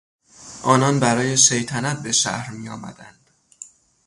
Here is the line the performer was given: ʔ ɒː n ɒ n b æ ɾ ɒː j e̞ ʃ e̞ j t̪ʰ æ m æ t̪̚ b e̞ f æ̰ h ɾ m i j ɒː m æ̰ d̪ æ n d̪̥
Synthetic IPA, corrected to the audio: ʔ ɒː n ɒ n b æ ɾ ɒː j e̞ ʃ e̞ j t̪ʰ æ n æ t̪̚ b e̞ ʃ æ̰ h ɾ m i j ɒː m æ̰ d̪ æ n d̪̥